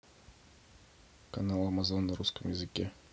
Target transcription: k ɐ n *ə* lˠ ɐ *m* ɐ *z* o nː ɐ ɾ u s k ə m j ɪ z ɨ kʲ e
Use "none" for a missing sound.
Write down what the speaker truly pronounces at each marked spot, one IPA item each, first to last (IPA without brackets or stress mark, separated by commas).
a, m, z